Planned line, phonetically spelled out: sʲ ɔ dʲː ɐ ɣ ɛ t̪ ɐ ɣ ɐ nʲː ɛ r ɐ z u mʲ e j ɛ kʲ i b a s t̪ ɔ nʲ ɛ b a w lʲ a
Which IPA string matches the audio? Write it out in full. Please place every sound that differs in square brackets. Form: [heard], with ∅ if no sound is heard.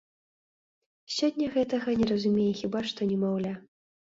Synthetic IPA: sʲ ɔ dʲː ɐ ɣ ɛ t̪ ɐ ɣ ɐ [nʲ] ɛ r ɐ z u mʲ e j ɛ [xʲ] i b a [ʂ] t̪ ɔ nʲ ɛ [m] a w lʲ a

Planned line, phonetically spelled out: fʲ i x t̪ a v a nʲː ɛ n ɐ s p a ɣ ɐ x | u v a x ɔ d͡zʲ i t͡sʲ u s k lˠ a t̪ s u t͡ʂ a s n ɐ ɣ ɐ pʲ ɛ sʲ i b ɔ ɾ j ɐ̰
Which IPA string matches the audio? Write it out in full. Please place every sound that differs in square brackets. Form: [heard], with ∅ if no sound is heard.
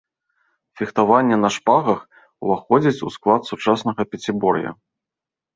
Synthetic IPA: fʲ i x t̪ a v a nʲː ɛ n ɐ [ʂ] p a ɣ ɐ x | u v a x ɔ d͡zʲ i t͡sʲ u s k lˠ a t̪ s u t͡ʂ a s n ɐ ɣ ɐ pʲ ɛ [t͡sʲ] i b ɔ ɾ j ɐ̰

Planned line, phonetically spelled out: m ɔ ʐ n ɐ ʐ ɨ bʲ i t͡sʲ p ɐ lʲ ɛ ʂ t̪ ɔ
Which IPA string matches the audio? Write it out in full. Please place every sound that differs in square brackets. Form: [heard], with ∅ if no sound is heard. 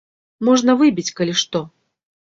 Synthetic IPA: m ɔ ʐ n ɐ [v] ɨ bʲ i t͡sʲ [k] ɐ lʲ [i] ʂ t̪ ɔ

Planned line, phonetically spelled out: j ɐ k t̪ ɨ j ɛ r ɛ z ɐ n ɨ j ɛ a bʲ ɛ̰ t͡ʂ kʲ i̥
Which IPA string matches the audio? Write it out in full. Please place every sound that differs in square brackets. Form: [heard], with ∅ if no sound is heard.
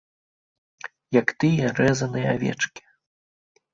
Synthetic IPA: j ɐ k t̪ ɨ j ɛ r ɛ z ɐ n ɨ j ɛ a [vʲ] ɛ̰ t͡ʂ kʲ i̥

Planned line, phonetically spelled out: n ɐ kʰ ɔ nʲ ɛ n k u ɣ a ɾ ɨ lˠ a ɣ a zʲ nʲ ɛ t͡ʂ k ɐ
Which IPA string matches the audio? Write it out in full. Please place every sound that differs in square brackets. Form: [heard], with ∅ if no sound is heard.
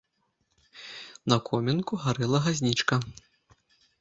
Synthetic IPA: n ɐ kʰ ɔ [mʲ] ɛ n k u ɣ a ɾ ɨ lˠ [ɐ] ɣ a zʲ nʲ [i] t͡ʂ k ɐ

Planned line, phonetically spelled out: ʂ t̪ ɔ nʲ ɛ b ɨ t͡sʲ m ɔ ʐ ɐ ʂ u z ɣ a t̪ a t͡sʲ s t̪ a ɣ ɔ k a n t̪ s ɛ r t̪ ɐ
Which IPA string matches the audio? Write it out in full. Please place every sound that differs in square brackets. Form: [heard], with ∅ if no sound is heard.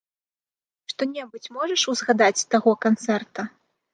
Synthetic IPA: ʂ t̪ ɔ nʲ ɛ b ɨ t͡sʲ m ɔ ʐ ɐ ʂ u z ɣ a [d̪] a t͡sʲ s t̪ a ɣ ɔ k a n t̪ s ɛ r t̪ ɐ

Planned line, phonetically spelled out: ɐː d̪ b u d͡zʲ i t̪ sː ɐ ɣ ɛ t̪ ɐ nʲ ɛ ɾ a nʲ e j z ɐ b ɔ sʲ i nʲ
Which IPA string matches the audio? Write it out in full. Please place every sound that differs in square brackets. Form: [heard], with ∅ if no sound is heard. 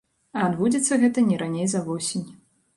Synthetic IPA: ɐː d̪ b u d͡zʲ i t̪ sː ɐ ɣ ɛ t̪ ɐ nʲ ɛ ɾ a nʲ e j z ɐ [v] ɔ sʲ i nʲ

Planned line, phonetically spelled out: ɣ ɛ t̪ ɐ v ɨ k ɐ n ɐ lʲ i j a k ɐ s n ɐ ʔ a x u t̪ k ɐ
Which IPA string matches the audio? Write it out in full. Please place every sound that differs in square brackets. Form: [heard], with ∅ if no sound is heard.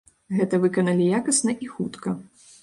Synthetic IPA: ɣ ɛ t̪ ɐ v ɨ k ɐ n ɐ lʲ i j a k ɐ s n ɐ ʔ [i] x u t̪ k ɐ

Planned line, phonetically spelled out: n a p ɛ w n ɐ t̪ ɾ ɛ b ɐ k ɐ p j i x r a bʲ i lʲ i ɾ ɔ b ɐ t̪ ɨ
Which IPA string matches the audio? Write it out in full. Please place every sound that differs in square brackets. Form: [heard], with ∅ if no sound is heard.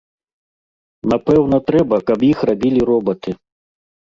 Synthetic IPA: n a p ɛ w n ɐ t̪ ɾ ɛ b ɐ k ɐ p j i x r a bʲ i lʲ i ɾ ɔ b ɐ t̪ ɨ

